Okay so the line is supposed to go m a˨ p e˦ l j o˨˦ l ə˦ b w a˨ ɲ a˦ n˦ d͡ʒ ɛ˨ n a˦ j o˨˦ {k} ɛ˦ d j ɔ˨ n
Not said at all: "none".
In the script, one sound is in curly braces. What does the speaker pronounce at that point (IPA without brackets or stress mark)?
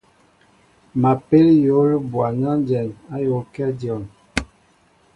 k